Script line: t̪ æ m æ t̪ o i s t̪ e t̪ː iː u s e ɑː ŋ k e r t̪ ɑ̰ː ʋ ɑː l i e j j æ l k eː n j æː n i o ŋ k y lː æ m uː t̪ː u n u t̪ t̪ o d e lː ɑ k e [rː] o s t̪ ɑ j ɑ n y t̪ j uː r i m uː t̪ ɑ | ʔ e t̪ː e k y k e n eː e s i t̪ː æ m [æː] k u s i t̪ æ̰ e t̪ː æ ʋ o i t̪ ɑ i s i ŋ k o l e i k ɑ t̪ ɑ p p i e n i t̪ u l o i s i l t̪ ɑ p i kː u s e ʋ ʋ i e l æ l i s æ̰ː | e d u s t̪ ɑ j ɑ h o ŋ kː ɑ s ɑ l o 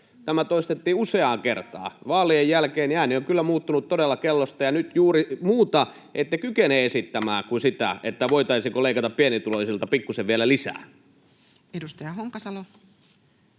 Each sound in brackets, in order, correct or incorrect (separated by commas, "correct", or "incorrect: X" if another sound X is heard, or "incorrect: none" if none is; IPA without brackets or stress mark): incorrect: lː, correct